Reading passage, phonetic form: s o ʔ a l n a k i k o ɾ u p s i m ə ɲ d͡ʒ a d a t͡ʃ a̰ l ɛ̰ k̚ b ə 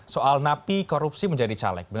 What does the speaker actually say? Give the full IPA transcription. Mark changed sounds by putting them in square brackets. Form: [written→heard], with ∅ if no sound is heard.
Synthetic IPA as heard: s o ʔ a l n a [k→p] i k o ɾ u p s i m ə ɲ d͡ʒ a d [a→i] t͡ʃ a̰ l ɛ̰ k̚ b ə